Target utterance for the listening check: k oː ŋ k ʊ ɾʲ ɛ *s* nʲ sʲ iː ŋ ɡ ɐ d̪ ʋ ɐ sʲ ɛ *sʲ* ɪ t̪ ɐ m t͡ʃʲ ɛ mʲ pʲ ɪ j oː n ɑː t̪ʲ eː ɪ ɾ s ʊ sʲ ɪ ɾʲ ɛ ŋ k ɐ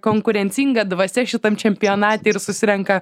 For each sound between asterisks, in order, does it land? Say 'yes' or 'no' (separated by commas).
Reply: no, no